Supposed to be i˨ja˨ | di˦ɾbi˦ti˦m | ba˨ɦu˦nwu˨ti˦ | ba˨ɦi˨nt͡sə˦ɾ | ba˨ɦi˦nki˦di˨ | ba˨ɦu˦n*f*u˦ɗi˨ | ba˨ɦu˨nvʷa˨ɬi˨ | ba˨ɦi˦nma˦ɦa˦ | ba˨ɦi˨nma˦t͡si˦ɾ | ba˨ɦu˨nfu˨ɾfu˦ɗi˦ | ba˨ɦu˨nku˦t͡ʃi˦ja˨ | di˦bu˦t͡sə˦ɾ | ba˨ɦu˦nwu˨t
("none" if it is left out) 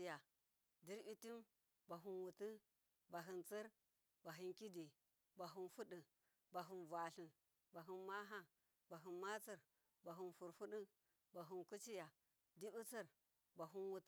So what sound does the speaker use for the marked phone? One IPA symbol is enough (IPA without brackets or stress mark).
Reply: f